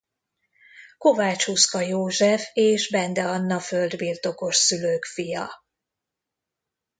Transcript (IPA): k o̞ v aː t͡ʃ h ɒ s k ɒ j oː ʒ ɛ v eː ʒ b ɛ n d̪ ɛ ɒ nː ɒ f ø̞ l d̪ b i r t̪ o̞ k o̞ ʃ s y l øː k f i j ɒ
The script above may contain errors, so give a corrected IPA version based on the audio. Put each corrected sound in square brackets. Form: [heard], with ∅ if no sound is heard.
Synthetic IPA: k o̞ v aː t͡ʃ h [u] s k ɒ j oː ʒ ɛ [f] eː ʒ b ɛ n d̪ ɛ ɒ nː ɒ f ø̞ l d̪ b i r t̪ o̞ k o̞ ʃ s y l øː k f i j ɒ

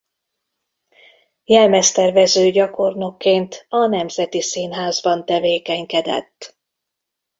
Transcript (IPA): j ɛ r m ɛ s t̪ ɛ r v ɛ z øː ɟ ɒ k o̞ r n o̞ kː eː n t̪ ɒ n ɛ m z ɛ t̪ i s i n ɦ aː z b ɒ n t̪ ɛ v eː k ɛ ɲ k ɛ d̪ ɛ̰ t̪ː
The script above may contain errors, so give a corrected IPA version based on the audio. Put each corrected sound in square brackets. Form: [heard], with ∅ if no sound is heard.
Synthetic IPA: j ɛ [l] m ɛ s t̪ ɛ r v ɛ z øː ɟ ɒ k o̞ r n o̞ kː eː n t̪ ɒ n ɛ m z ɛ t̪ i s i n ɦ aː z b ɒ n t̪ ɛ v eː k ɛ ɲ k ɛ d̪ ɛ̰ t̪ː

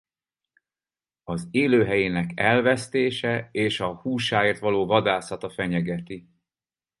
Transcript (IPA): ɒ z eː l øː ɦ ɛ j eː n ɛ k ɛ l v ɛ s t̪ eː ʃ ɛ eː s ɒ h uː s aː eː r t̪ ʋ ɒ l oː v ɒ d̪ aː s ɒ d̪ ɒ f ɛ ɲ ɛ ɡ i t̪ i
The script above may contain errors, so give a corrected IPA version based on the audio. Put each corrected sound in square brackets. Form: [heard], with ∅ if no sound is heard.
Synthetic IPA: ɒ z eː l øː ɦ ɛ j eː n ɛ k ɛ l v ɛ s t̪ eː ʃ ɛ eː [ʃ] ɒ h uː [ʃ] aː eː r t̪ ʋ ɒ l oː v ɒ d̪ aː s ɒ [t̪] ɒ f ɛ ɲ ɛ ɡ [ɛ] t̪ i

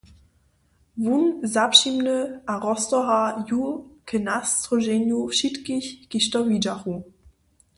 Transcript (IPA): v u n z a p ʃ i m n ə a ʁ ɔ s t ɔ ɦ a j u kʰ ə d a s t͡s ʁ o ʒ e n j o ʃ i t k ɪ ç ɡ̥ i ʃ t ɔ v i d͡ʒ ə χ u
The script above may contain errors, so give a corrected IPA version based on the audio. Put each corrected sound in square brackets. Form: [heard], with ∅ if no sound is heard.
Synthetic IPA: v u n z a p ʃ i m n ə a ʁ ɔ s t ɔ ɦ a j u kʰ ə [n] a s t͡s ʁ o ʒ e n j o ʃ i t k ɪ ç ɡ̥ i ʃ t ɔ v i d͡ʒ [a] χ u

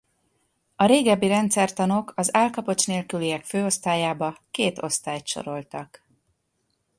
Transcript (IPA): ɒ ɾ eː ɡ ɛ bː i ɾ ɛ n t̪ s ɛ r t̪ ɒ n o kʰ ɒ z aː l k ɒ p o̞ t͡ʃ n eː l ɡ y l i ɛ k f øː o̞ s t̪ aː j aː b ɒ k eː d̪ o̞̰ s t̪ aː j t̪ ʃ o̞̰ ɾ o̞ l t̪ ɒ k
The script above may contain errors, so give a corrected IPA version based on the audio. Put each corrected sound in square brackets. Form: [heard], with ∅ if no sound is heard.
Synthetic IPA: ɒ ɾ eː ɡ ɛ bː i ɾ ɛ n t̪ s ɛ r t̪ ɒ n o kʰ ɒ z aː l k ɒ p o̞ t͡ʃ n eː l [k] y l i ɛ k f øː o̞ s t̪ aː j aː b ɒ k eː [t̪] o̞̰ s t̪ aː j t̪ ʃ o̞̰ ɾ o̞ l t̪ ɒ k

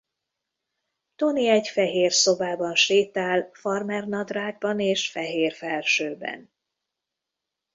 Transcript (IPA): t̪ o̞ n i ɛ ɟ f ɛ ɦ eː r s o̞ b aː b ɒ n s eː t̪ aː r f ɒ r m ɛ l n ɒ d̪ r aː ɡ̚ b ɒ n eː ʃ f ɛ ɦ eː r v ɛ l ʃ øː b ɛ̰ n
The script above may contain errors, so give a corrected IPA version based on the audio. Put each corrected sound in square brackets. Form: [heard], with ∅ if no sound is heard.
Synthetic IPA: t̪ o̞ n i ɛ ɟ f ɛ ɦ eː r s o̞ b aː b ɒ n [ʃ] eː t̪ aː [l] f ɒ r m ɛ [r] n ɒ d̪ r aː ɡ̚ b ɒ n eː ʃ f ɛ ɦ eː r [f] ɛ l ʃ øː b ɛ̰ n

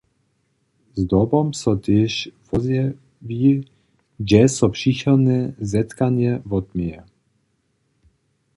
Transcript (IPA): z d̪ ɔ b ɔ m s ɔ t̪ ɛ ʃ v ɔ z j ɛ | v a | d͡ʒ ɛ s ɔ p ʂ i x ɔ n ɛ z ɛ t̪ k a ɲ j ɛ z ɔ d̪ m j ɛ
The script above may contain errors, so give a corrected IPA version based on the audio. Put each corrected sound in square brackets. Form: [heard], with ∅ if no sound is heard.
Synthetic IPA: z d̪ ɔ b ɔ m s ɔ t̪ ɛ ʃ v ɔ z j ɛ | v [i] | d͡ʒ ɛ s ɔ p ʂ i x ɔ n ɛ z ɛ t̪ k a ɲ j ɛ [v] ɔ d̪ m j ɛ

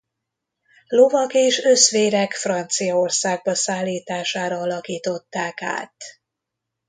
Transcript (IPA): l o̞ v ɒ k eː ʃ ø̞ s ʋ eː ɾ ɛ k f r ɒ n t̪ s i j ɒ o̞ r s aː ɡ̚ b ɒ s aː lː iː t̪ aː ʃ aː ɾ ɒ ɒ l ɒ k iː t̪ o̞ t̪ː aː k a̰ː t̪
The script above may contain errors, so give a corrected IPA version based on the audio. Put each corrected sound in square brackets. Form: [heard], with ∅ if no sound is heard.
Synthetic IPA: l o̞ v ɒ k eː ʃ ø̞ s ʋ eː ɾ ɛ k f r ɒ n t̪ s i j ɒ o̞ r s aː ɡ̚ b ɒ s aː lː iː t̪ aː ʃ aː ɾ ɒ ɒ l ɒ k iː t̪ o̞ t̪ː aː k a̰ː t̪

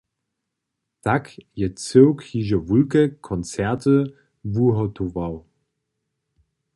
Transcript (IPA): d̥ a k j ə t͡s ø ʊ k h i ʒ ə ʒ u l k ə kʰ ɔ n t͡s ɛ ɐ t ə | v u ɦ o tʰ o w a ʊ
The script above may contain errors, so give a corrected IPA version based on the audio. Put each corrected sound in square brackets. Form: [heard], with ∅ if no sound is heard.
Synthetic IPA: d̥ a k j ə t͡s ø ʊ k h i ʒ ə [v] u l k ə kʰ ɔ n t͡s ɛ ɐ t ə | v u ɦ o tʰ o [v] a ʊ

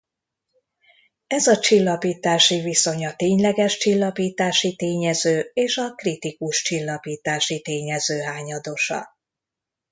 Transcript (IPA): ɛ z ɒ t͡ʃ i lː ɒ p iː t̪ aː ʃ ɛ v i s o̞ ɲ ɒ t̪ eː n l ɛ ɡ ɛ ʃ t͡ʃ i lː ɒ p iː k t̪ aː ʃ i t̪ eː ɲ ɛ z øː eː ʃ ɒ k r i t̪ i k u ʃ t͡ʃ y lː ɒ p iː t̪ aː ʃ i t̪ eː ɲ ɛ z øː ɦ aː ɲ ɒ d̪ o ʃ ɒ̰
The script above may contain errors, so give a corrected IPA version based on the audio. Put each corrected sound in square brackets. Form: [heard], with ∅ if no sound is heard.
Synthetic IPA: ɛ z ɒ t͡ʃ i lː ɒ p iː t̪ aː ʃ [i] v i s o̞ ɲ ɒ t̪ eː [ɲ] l ɛ ɡ ɛ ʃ t͡ʃ i lː ɒ p iː [∅] t̪ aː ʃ i t̪ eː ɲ ɛ z øː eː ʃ ɒ k r i t̪ i k u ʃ t͡ʃ [i] lː ɒ p iː t̪ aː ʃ i t̪ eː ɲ ɛ z øː ɦ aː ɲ ɒ d̪ o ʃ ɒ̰

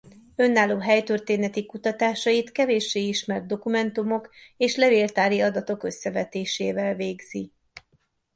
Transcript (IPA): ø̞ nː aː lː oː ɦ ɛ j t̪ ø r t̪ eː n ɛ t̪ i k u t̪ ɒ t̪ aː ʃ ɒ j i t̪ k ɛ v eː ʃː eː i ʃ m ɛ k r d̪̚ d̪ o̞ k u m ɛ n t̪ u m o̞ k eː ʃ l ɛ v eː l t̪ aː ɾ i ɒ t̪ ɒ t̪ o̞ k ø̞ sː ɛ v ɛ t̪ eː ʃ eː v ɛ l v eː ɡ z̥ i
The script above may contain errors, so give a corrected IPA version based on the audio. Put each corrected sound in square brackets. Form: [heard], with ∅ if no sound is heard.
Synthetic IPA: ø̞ nː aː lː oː ɦ ɛ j t̪ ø r t̪ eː n ɛ t̪ i k u t̪ ɒ t̪ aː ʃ ɒ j i t̪ k ɛ v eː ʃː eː i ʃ m ɛ [∅] r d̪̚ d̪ o̞ k u m ɛ n t̪ u m o̞ k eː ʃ l ɛ v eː l t̪ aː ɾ i ɒ [d̪] ɒ t̪ o̞ k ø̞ sː ɛ v ɛ t̪ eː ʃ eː v ɛ l v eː ɡ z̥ i

